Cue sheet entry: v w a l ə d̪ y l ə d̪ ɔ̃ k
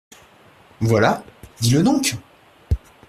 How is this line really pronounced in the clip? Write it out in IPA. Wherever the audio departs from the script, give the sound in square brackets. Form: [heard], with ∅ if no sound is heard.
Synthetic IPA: v w a l [a] d̪ [i] l ə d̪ ɔ̃ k